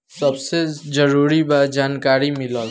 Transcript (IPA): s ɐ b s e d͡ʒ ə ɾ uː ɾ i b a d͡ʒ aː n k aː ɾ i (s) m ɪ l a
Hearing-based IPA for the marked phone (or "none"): none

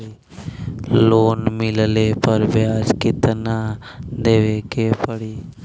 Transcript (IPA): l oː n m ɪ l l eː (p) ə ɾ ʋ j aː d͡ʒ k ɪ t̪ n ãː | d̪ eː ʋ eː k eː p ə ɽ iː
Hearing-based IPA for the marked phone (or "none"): p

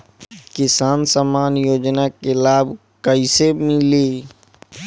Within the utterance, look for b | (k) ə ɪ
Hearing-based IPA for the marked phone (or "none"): k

